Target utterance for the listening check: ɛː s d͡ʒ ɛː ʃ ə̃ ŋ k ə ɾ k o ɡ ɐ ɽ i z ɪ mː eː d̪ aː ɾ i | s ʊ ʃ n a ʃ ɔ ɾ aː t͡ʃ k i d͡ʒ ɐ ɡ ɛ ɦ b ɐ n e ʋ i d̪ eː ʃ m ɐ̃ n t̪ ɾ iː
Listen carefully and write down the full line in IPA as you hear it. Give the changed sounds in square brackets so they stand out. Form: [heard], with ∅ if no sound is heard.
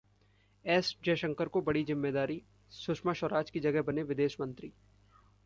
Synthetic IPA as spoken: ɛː s d͡ʒ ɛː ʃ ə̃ ŋ k ə ɾ k o [b] ɐ ɽ i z ɪ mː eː d̪ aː ɾ i | s ʊ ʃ [m] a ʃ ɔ ɾ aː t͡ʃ k i d͡ʒ ɐ ɡ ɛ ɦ b ɐ n e ʋ [ɪ] d̪ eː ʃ m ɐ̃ n t̪ ɾ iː